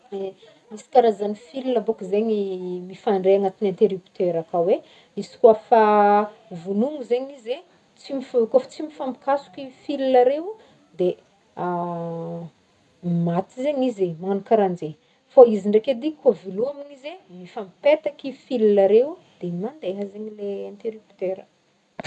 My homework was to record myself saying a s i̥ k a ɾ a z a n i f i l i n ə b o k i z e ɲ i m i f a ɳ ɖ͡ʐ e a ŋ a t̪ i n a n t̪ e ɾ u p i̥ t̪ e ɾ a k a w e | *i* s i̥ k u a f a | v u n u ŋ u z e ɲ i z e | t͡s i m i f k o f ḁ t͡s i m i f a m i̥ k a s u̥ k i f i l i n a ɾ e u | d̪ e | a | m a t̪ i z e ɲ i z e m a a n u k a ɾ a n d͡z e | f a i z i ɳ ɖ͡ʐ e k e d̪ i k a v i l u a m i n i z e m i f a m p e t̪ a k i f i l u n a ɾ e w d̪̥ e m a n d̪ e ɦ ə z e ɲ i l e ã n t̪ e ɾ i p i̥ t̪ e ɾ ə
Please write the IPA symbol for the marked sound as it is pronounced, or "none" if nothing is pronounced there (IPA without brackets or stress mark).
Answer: i